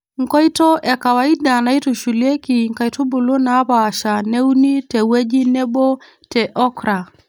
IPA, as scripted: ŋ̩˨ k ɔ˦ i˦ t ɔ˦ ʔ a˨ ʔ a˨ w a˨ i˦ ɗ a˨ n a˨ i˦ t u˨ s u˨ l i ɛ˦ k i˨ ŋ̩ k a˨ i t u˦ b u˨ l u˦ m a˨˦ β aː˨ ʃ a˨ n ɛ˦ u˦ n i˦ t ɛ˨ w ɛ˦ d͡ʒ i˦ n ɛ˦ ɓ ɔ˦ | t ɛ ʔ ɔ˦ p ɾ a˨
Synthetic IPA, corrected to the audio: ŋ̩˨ k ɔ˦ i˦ t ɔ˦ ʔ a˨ k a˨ w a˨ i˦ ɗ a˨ n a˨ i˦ t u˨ ʃ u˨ l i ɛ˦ k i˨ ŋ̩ k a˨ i t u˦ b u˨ l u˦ n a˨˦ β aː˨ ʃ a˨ n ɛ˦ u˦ n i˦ t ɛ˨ w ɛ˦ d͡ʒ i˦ n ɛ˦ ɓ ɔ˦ | t ɛ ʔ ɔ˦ k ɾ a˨